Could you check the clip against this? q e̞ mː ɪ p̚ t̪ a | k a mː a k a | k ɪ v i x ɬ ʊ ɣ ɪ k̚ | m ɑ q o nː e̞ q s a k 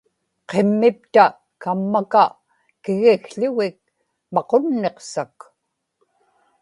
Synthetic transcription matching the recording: q e̞ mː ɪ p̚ t̪ a | k a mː a k a | k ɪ ɣ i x ɬ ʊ ɣ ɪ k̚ | m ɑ q o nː e̞ q s a k

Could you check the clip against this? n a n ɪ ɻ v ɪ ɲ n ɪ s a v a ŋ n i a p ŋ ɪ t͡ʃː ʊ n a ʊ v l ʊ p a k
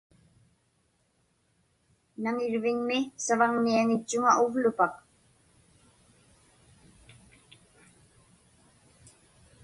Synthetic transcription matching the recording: n a ŋ ɪ ɻ v ɪ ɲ m ɪ s a v a ŋ n i a ŋ ɪ t͡ʃː ʊ ŋ a ʊ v l ʊ p a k

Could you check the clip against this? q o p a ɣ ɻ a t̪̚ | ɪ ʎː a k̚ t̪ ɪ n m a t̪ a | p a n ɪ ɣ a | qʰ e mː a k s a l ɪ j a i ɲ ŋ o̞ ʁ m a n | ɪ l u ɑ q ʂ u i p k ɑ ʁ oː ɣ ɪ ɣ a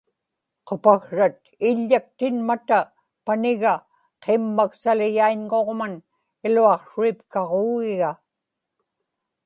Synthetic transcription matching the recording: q o p a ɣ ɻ a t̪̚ | ɪ ʎː a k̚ t̪ ɪ n m a t̪ a | p a n ɪ ɣ a | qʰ e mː a k s a l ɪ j a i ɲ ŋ o̞ ʁ m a n | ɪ l u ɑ q ʂ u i p k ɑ ʁ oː ɣ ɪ ɣ a

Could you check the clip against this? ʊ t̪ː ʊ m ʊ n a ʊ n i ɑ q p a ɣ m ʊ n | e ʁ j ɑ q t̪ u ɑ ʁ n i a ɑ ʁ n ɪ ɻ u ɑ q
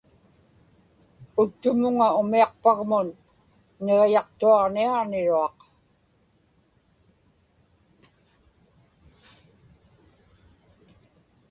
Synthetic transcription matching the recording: ʊ t̪ː ʊ m ʊ ŋ a ʊ m i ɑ q p a ɣ m ʊ nː | e ʁ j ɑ q t̪ u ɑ ʁ n i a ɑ ʁ n ɪ ɻ u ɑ q

